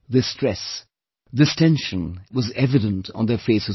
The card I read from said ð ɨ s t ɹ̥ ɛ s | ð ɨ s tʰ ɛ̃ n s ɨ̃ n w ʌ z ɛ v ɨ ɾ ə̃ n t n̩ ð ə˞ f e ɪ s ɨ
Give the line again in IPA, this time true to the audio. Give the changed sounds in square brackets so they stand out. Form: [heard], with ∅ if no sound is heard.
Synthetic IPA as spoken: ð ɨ s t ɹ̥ ɛ s | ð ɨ s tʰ ɛ̃ n [ʃ] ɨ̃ n w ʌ z ɛ v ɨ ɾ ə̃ n t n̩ ð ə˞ f e ɪ s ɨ